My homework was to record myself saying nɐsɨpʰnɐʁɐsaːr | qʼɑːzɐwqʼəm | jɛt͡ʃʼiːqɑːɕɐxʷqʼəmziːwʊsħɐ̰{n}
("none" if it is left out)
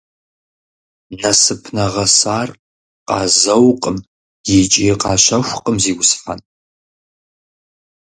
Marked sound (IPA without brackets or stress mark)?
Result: n